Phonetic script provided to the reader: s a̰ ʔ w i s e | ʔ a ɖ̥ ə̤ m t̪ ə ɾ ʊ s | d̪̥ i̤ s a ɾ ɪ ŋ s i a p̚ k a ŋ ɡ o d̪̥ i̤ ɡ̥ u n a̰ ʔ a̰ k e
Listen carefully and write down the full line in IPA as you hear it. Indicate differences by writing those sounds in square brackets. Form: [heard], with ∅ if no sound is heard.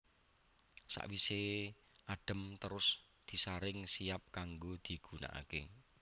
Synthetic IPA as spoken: s a̰ ʔ w i s e | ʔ a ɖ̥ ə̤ m t̪ ə ɾ ʊ s | d̪̥ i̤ s a ɾ ɪ ŋ s i a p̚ k a ŋ ɡ o d̪̥ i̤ ɡ̥ u n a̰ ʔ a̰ k e